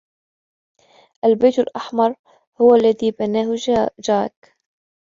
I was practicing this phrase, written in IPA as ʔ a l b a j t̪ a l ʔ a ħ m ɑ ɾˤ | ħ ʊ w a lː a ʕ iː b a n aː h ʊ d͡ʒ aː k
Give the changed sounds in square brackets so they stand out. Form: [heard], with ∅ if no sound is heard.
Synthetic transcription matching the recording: ʔ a l b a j t̪ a l ʔ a ħ m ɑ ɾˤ | [h] ʊ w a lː a [ð] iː b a n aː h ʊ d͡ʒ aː k

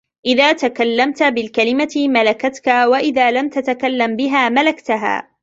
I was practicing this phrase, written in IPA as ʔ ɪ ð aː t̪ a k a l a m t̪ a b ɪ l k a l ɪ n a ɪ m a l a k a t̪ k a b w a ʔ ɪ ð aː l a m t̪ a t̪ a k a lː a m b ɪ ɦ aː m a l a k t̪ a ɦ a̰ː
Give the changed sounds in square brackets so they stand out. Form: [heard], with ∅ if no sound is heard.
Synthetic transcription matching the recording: ʔ ɪ ð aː t̪ a k a [lː] a m t̪ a b ɪ l k a l ɪ [m] a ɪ m a l a k a t̪ k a [∅] w a ʔ ɪ ð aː l a m t̪ a t̪ a k a lː a m b ɪ ɦ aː m a l a k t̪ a ɦ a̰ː

